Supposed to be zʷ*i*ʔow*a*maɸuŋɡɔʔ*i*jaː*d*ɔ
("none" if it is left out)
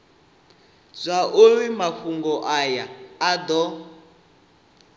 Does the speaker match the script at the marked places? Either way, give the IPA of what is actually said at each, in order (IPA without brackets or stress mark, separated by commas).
a, i, a, d